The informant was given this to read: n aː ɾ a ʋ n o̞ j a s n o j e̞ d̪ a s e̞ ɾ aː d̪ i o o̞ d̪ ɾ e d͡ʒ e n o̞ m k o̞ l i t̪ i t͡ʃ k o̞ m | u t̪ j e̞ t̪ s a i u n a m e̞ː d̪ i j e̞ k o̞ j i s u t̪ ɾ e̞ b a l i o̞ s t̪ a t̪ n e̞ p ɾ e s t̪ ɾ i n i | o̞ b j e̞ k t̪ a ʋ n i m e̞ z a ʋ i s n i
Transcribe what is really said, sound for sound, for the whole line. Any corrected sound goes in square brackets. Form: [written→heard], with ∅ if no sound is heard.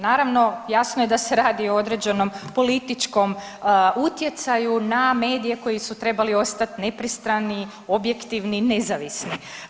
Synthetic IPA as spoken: n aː ɾ a ʋ n o̞ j a s n o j e̞ d̪ a s e̞ ɾ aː d̪ i o o̞ d̪ ɾ e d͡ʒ e n o̞ m [k→p] o̞ l i t̪ i t͡ʃ k o̞ m | u t̪ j e̞ t̪ s a [i→j] u n a m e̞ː d̪ i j e̞ k o̞ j i s u t̪ ɾ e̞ b a l i o̞ s t̪ a t̪ n e̞ p ɾ [e→i] s t̪ ɾ [i→a] n i | o̞ b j e̞ k t̪ [a→i] ʋ n i [m→n] e̞ z a ʋ i s n i